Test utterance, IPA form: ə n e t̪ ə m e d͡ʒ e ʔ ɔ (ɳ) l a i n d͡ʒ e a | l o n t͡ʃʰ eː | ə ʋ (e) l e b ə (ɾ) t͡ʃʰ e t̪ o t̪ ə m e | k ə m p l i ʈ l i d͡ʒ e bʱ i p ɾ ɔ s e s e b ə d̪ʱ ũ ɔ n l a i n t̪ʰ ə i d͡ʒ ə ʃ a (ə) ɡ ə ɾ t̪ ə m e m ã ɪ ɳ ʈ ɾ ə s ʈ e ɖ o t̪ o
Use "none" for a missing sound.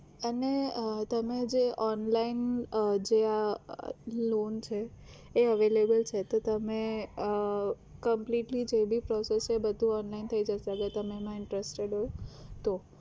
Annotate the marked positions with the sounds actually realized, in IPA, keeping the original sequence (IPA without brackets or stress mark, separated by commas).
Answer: n, e, l, ə